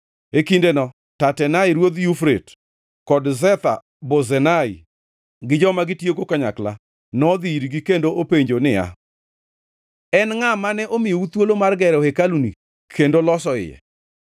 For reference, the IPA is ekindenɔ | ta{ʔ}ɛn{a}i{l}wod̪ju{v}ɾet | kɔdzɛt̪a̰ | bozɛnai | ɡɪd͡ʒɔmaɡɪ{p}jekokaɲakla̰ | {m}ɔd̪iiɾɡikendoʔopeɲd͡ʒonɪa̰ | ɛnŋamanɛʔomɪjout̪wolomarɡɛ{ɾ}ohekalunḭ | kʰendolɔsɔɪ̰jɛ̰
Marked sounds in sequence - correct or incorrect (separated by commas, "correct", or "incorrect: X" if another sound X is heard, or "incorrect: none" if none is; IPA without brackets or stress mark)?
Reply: incorrect: t, correct, incorrect: ɾ, incorrect: f, incorrect: t, incorrect: n, correct